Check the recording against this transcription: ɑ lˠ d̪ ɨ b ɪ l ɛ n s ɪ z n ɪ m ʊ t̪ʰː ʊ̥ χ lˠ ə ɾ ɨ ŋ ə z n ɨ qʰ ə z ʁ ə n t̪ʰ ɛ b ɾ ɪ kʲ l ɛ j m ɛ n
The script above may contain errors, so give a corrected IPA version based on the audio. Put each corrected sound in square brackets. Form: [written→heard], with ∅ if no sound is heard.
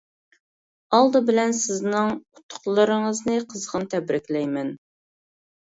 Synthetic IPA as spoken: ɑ lˠ d̪ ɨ b ɪ l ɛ n s ɪ z n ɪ [m→ŋ] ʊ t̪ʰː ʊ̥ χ lˠ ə ɾ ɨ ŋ ə z n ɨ qʰ ə z ʁ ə n t̪ʰ ɛ b ɾ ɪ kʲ l ɛ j m ɛ n